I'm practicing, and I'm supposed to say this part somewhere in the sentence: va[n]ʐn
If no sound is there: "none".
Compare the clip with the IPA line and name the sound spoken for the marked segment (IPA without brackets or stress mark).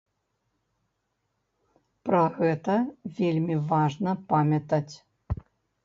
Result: none